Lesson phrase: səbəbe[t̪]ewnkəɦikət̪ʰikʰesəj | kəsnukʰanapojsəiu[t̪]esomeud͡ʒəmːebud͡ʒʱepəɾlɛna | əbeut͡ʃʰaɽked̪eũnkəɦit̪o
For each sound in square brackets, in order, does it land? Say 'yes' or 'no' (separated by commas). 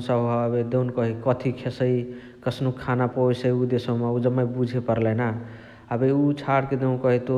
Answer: no, no